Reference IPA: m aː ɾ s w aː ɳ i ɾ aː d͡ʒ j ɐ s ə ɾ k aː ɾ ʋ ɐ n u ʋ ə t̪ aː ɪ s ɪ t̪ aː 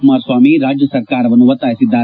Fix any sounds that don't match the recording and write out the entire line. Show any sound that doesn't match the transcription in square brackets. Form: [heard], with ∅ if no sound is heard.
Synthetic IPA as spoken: m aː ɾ s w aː [m] i ɾ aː d͡ʒ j [ə] s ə ɾ k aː ɾ ʋ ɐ n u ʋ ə t̪ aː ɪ s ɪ [d̪] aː